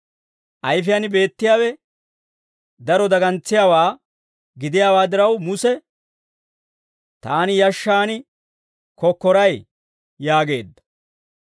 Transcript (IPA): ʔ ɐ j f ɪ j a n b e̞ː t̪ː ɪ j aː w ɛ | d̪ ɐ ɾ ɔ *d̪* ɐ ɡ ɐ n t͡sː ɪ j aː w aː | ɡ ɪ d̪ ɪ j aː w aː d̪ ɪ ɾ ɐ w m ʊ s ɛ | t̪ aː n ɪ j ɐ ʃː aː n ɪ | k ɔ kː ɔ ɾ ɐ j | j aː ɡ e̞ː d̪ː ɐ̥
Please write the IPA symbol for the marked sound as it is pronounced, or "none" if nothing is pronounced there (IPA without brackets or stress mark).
d̪